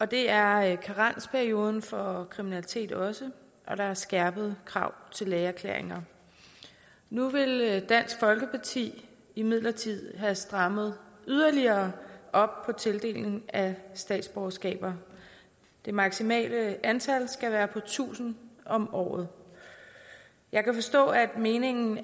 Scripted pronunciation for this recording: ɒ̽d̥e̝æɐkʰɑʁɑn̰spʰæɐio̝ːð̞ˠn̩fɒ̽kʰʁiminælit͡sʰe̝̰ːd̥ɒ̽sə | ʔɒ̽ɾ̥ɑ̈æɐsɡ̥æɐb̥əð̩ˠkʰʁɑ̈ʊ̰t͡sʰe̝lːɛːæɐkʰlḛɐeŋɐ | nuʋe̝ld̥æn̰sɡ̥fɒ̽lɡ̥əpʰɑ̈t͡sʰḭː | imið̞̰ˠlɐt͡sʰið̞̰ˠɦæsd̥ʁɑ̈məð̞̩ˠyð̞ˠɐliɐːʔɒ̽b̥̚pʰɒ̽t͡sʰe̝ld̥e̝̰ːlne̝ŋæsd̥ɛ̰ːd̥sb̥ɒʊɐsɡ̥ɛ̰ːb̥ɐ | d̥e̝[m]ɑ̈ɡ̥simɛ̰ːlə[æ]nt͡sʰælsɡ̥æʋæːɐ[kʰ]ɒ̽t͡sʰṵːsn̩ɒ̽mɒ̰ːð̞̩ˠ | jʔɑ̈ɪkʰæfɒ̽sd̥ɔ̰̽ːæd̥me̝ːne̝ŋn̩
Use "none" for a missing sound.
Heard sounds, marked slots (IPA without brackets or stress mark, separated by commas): m, æ, pʰ